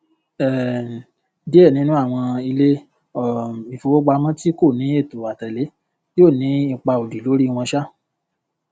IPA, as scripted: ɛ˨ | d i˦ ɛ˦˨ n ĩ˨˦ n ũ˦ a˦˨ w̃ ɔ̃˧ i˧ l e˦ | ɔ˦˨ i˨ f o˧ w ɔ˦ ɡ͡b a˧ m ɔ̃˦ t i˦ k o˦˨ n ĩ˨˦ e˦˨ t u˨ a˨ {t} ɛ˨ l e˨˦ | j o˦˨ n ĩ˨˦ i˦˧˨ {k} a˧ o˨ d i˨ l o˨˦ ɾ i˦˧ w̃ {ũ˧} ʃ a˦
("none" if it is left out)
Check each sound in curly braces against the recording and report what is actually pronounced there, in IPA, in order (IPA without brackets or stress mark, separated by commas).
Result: t, k͡p, ɔ̃˧